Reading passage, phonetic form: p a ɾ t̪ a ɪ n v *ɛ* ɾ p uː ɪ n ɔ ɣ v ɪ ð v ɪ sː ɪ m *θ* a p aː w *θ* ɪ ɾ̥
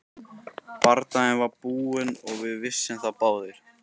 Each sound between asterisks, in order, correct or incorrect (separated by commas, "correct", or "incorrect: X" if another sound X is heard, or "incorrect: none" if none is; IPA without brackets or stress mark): incorrect: a, correct, incorrect: ð